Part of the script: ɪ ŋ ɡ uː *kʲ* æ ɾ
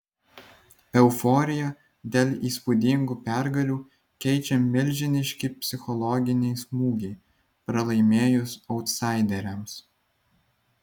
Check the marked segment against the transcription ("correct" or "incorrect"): incorrect